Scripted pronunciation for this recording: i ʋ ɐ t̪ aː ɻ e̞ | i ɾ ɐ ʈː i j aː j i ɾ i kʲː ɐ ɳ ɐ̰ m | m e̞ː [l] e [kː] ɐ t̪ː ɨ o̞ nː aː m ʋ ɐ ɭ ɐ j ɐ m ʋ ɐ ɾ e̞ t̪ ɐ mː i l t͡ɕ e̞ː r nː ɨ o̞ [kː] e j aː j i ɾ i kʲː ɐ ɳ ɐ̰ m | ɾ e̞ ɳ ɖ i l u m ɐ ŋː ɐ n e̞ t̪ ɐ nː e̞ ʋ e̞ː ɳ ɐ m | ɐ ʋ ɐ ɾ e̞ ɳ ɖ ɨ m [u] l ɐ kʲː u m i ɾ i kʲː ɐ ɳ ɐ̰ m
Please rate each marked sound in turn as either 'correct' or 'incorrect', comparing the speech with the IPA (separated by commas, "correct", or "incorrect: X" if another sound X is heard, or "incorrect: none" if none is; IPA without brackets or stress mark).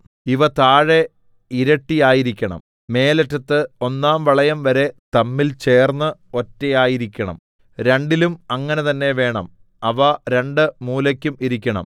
correct, incorrect: tː, incorrect: tː, incorrect: uː